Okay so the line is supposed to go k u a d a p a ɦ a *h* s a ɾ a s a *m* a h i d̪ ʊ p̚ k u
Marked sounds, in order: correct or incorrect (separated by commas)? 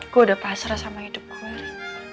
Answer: incorrect, correct